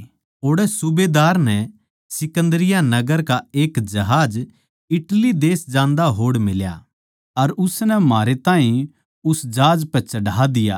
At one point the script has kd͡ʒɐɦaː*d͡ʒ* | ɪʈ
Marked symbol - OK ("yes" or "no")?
yes